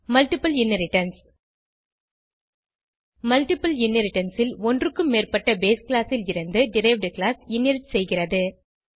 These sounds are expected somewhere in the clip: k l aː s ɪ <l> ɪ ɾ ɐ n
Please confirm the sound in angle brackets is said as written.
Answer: yes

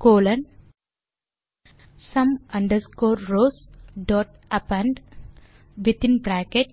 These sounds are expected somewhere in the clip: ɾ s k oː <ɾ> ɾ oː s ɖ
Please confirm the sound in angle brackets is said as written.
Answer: yes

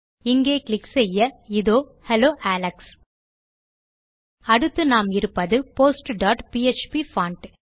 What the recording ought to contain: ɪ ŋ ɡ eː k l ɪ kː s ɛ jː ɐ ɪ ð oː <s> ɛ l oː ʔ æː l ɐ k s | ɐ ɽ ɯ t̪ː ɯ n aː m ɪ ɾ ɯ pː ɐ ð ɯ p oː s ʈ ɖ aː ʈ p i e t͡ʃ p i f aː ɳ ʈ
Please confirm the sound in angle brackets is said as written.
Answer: no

